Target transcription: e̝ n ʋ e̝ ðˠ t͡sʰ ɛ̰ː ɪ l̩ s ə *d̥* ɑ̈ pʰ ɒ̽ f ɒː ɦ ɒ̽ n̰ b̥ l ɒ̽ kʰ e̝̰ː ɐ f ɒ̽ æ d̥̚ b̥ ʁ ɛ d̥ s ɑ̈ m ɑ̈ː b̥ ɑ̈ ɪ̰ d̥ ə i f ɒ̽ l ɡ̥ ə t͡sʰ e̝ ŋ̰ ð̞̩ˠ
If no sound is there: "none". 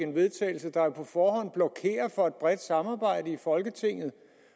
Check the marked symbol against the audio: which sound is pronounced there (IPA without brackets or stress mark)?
d̥